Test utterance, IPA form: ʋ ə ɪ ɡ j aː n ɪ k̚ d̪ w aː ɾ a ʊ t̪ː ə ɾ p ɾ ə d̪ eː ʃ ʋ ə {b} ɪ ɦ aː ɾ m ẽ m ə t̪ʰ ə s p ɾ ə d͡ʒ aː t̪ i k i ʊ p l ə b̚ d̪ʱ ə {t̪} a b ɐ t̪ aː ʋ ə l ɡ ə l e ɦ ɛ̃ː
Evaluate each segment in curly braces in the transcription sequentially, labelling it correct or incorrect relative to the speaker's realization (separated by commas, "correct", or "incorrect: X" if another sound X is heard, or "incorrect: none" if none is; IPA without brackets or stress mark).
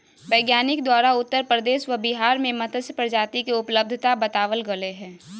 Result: correct, correct